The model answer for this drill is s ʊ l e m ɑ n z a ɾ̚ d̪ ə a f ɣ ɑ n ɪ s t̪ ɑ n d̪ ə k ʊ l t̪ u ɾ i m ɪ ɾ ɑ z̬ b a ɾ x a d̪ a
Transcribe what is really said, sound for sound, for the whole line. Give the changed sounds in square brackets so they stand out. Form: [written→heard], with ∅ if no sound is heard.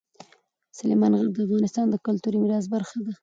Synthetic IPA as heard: s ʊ l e m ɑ n [z→ɣ] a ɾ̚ d̪ ə a f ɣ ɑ n ɪ s t̪ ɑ n d̪ ə k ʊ l t̪ u ɾ i m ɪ ɾ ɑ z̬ b a ɾ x a d̪ a